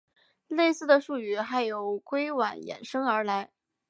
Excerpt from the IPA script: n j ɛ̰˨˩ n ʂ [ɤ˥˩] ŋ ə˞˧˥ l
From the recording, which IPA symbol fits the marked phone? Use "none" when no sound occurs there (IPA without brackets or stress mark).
ɤ˥